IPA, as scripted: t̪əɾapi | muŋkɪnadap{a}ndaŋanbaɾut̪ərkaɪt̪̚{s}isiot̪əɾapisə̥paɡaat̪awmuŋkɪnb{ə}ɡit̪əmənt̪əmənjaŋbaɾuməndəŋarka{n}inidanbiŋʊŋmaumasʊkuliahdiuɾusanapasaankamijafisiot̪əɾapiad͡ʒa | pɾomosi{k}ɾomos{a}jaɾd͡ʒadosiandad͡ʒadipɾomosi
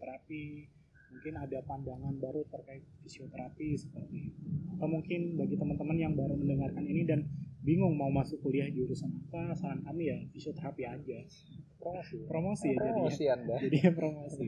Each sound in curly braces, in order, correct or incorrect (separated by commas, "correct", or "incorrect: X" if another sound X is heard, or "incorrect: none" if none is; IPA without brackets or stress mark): correct, incorrect: f, incorrect: a, correct, incorrect: p, incorrect: i